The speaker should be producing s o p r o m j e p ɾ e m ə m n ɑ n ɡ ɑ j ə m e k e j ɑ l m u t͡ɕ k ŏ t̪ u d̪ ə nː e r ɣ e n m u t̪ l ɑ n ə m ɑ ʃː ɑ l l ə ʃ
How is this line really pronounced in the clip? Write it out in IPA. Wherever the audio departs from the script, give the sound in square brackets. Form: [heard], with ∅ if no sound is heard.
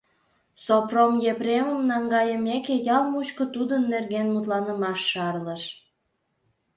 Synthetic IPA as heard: s o p r o m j e p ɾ e m ə m n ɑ [ŋ] ɡ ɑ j ə m e k e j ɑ l m u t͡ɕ k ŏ t̪ u d̪ ə nː e r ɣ e n m u t̪ l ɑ n ə m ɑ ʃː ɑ [r] l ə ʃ